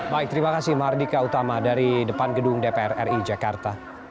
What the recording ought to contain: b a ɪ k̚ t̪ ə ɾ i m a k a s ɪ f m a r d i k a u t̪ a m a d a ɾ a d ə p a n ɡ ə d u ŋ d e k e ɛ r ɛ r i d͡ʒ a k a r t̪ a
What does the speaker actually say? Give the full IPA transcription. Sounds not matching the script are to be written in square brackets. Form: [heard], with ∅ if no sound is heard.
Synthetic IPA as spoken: b a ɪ k̚ t̪ ə ɾ i m a k a s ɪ [h] m a r d i k a u t̪ a m a d a ɾ [i] d ə p a n ɡ ə d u ŋ d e [p] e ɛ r ɛ r i d͡ʒ a k a r t̪ a